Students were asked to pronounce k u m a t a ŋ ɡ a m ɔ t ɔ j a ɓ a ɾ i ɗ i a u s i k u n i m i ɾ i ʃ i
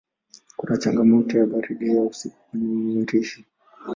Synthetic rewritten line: k u n a t͡ʃ a ŋ ɡ a m ɔ t ɔ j a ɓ a ɾ i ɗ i a u s i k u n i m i ɾ i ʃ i